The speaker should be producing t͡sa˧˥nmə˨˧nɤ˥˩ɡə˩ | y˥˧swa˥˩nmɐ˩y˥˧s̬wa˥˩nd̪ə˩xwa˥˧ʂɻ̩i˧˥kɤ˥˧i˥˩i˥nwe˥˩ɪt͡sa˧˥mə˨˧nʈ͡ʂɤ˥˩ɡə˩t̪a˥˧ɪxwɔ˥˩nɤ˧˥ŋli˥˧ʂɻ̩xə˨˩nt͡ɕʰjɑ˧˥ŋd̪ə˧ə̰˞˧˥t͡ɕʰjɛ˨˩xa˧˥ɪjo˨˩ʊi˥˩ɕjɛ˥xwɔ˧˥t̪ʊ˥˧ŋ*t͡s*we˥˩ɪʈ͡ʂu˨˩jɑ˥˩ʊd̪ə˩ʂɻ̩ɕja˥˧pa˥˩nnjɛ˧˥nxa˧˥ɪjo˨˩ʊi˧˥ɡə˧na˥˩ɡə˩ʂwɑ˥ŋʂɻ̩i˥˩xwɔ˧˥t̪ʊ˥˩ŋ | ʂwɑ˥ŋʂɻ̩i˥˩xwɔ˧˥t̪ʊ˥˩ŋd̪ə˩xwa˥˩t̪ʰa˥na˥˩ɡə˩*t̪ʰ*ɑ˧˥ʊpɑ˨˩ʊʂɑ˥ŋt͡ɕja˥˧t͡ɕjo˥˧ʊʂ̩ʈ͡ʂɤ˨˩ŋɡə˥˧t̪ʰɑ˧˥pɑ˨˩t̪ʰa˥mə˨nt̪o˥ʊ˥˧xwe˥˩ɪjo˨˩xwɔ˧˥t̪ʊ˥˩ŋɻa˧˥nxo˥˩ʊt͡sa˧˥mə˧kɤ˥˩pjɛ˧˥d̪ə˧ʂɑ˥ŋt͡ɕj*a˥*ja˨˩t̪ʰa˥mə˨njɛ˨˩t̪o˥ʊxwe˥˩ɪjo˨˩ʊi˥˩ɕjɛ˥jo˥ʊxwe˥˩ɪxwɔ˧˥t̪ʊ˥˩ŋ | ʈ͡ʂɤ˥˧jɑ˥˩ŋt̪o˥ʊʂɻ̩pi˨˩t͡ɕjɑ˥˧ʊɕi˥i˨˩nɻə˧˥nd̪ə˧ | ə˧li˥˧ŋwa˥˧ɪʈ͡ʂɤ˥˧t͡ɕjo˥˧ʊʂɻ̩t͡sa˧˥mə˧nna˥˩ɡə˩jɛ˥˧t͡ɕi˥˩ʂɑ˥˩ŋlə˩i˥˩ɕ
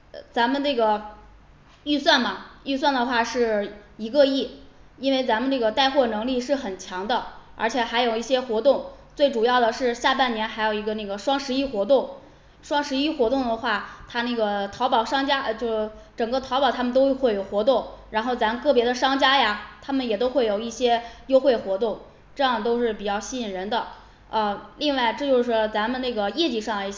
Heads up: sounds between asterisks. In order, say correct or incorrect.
correct, correct, correct

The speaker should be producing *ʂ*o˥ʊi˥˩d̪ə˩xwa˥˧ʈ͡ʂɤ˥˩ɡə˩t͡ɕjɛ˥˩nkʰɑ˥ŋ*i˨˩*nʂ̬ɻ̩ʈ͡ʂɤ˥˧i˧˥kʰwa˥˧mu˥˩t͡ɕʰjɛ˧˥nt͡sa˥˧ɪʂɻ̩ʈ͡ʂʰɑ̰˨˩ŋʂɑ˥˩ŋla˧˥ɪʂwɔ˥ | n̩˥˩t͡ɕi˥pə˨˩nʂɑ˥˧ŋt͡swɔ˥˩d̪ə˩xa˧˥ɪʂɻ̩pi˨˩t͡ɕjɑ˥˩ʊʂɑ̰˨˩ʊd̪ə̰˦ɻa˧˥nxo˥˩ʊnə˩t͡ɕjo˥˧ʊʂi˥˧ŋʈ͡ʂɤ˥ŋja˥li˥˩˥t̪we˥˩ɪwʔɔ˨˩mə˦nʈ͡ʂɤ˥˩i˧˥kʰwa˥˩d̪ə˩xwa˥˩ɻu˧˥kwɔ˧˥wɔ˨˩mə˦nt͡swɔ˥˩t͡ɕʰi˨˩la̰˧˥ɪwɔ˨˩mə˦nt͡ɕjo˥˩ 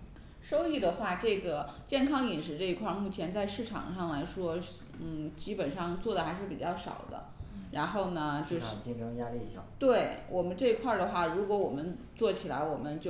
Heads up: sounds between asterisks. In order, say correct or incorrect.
correct, correct

